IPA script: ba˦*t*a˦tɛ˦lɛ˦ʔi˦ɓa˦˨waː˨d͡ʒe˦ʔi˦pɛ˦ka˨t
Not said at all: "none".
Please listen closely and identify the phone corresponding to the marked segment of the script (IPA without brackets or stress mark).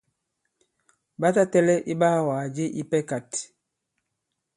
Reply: t